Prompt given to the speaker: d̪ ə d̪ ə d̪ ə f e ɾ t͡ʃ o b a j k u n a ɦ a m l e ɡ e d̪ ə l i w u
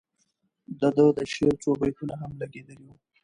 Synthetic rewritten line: d̪ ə d̪ ə d̪ ə ʃ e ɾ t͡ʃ o b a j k u n a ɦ a m l a ɡ e d̪ ə l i w u